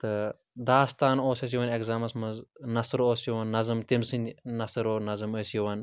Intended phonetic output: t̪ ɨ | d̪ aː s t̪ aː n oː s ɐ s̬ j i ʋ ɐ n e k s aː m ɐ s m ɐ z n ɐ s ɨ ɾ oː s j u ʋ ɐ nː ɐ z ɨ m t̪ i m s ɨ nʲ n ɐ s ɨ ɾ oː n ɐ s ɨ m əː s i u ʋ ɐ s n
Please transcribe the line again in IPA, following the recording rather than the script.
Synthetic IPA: t̪ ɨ | d̪ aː s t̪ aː n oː s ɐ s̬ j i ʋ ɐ n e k z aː m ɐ s m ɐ z n ɐ s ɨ ɾ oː s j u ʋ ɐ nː ɐ z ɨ m t̪ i m s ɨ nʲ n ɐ s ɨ ɾ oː n ɐ z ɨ m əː s j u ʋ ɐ n